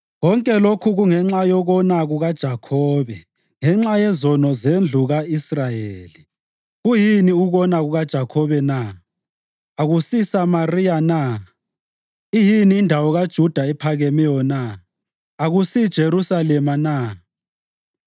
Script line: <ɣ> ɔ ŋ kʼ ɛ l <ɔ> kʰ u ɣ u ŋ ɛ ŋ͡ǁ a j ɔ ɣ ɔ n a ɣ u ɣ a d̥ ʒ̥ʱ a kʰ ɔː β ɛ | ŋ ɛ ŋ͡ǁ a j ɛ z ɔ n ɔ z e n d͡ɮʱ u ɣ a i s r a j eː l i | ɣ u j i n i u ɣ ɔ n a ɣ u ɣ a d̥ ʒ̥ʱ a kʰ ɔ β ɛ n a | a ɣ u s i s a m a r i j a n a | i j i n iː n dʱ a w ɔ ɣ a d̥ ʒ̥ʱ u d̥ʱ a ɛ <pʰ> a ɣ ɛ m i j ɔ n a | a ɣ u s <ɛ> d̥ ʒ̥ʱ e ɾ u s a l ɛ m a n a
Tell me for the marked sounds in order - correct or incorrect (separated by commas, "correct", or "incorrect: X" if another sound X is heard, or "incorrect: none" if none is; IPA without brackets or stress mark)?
correct, incorrect: o, correct, incorrect: i